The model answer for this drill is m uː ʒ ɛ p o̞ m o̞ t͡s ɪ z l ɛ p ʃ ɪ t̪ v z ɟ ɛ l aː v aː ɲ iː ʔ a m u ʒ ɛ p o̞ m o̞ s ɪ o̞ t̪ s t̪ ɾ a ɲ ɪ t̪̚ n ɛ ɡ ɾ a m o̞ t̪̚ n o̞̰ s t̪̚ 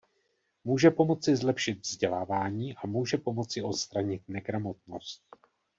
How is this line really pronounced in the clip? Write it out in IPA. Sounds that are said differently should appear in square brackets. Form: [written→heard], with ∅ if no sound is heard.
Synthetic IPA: m uː ʒ ɛ p o̞ m o̞ t͡s ɪ z l ɛ p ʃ ɪ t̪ v z ɟ ɛ l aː v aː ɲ iː ʔ a m [u→uː] ʒ ɛ p o̞ m o̞ [s→t͡s] ɪ o̞ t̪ s t̪ ɾ a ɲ ɪ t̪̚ n ɛ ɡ ɾ a m o̞ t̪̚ n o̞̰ s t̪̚